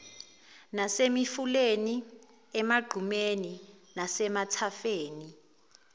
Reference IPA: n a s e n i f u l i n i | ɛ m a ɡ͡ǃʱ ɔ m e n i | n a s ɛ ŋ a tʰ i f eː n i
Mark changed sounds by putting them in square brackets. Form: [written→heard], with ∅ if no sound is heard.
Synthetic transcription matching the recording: n a s e [n→m] i f u l [i→e] n i | ɛ m a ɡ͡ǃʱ [ɔ→u] m e n i | n a s ɛ [ŋ→m] a tʰ [i→a] f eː n i